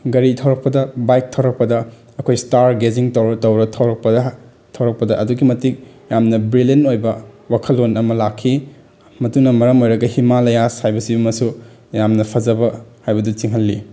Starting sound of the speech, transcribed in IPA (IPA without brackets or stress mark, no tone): ɡ